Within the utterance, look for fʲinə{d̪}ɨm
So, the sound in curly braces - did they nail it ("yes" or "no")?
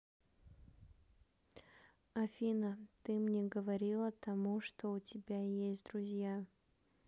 no